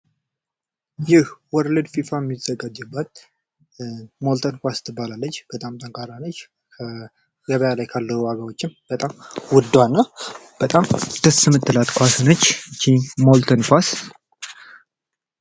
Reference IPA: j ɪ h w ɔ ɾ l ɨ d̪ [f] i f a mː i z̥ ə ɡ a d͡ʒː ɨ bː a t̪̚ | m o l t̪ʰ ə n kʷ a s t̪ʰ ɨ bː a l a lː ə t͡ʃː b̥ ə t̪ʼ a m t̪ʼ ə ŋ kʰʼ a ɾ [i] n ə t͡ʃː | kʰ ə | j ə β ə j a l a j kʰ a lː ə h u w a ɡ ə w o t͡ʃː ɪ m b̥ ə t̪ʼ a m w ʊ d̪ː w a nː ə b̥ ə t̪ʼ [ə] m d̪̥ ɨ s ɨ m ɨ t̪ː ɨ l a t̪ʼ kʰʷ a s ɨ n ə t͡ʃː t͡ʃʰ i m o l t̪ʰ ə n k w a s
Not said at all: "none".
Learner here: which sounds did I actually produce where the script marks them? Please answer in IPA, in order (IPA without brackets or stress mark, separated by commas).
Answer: f, a, a